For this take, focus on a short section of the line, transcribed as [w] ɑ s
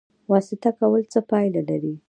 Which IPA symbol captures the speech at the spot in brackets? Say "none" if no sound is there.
w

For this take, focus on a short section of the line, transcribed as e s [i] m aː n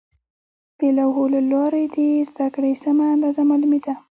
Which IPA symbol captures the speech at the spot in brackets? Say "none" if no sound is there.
a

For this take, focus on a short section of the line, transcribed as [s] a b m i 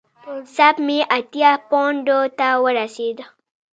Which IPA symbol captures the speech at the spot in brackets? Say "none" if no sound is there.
s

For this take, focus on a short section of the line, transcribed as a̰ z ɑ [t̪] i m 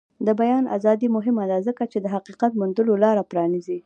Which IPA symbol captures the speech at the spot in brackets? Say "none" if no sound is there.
d̪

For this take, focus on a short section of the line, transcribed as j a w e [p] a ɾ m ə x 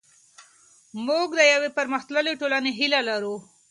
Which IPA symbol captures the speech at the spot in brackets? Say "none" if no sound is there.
p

